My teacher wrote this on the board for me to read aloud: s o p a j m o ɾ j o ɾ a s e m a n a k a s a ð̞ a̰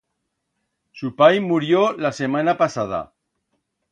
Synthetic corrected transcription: s u p a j m u ɾ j o l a s e m a n a p a s a ð̞ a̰